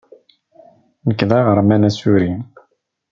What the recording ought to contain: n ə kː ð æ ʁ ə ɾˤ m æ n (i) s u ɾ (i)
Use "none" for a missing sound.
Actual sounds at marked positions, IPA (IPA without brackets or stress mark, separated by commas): æ, i